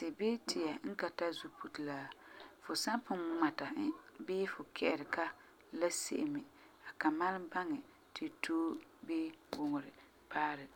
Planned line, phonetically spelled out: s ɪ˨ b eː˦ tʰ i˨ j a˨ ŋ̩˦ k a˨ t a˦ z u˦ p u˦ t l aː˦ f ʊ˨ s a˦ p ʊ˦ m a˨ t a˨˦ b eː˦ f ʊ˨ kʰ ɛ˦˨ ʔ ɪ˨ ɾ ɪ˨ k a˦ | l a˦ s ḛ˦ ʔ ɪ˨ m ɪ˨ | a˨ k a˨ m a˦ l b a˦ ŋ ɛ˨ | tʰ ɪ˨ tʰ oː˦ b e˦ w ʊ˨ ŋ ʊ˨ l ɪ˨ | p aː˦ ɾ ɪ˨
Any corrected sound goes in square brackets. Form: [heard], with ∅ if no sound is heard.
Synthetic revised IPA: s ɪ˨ b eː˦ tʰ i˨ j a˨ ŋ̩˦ k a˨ t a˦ z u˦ p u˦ t l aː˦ f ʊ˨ s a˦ p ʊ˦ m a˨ t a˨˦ b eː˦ f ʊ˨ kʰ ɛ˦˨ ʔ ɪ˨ ɾ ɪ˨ k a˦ | l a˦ s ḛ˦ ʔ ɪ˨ m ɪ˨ | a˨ k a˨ m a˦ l b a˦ ŋ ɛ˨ | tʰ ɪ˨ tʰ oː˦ b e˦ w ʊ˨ ŋ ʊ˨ [ɾ] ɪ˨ | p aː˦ ɾ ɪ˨